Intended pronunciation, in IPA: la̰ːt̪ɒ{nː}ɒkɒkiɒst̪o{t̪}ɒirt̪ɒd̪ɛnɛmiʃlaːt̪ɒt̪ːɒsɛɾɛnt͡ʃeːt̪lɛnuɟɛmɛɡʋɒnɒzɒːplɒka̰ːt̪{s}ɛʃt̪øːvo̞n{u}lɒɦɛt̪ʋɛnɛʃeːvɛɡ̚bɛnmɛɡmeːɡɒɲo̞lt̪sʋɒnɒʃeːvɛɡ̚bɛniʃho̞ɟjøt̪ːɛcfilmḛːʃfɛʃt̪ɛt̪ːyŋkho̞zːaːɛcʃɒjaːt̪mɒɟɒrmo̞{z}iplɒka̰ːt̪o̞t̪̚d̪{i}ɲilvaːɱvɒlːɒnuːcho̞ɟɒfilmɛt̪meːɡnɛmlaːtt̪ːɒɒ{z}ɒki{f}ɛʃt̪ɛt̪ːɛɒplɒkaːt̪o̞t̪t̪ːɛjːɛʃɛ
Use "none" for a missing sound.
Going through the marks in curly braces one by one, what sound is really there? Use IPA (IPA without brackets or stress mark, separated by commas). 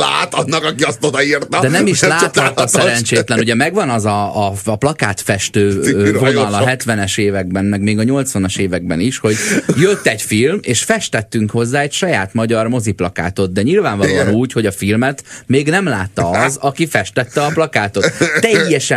nː, d̪, f, ɒ, z, ɛ, z, f